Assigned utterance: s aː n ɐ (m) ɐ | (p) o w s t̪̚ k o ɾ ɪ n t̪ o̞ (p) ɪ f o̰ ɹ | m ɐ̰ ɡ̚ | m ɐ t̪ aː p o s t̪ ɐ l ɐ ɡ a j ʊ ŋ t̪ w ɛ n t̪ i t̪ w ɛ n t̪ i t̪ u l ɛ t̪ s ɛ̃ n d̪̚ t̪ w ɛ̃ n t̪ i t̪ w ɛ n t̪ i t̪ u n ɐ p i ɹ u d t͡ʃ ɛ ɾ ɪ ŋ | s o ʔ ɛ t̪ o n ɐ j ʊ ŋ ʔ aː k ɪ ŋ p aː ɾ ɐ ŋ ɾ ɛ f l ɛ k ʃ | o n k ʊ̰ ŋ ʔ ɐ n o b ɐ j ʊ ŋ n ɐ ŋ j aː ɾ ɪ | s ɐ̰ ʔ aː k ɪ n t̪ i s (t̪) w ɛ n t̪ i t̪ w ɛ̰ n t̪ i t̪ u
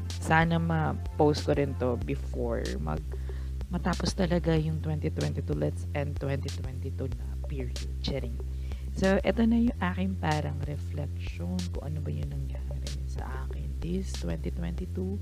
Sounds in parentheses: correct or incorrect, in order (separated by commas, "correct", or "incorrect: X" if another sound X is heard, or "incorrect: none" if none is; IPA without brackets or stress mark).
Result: correct, correct, incorrect: b, correct